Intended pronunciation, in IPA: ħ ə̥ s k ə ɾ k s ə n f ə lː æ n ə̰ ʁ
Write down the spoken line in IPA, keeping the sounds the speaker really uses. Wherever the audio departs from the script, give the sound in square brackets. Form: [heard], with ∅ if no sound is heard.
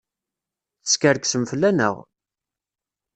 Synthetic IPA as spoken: [θ] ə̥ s k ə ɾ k s ə [m] f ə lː æ n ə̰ ʁ